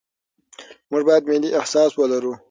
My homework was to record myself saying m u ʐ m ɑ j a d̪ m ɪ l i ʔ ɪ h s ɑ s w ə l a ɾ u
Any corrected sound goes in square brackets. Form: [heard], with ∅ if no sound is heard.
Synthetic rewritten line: m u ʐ [b] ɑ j a d̪ m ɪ l i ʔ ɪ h s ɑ s w ə l a ɾ u